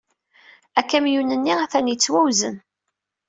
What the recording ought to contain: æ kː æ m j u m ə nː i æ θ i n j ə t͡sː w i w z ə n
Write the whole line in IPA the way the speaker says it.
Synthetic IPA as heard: æ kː æ m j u n ə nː i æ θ æ n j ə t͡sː w æ w z ə n